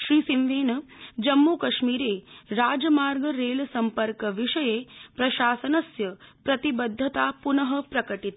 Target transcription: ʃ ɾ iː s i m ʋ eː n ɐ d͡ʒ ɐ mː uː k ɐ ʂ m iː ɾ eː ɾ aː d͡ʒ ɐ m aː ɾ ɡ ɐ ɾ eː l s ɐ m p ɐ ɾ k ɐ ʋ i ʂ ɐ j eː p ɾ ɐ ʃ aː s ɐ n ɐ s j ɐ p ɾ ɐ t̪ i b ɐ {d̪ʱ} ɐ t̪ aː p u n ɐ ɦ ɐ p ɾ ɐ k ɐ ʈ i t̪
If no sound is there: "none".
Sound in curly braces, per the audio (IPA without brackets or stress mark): d̪ʱː